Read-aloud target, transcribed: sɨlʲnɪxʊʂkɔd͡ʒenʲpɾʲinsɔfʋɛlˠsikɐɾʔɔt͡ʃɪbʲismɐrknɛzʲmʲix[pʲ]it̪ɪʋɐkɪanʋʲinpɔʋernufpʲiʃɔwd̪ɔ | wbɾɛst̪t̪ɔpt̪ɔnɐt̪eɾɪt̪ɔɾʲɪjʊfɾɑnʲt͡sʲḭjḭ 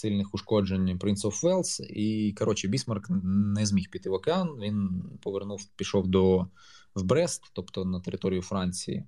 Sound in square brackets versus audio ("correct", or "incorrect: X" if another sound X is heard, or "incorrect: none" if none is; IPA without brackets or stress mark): correct